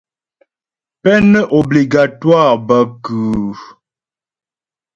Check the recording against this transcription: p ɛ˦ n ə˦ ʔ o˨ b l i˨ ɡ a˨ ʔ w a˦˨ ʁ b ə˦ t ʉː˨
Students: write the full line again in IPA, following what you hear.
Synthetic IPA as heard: p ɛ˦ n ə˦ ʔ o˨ b l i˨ ɡ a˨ t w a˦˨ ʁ b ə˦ k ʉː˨